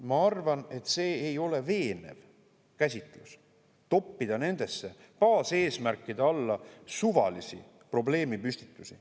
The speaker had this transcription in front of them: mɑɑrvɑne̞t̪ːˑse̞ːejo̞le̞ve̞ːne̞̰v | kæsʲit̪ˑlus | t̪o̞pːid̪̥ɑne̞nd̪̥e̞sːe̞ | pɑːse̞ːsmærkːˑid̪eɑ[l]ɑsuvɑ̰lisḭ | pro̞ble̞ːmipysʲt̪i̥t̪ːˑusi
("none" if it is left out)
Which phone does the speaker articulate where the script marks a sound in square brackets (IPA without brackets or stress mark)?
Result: lː